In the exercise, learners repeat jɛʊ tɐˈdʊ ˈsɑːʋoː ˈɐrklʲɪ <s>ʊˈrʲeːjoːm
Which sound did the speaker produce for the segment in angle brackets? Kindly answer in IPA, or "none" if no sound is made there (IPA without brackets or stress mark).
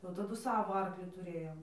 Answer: t